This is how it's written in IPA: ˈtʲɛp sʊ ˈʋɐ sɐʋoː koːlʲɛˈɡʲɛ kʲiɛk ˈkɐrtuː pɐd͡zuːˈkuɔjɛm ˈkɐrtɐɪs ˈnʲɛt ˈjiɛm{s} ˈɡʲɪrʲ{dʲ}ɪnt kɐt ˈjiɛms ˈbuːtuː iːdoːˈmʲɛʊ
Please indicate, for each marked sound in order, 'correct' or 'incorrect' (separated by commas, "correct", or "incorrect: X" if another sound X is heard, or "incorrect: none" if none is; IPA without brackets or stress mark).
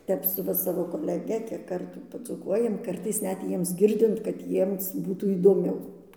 correct, correct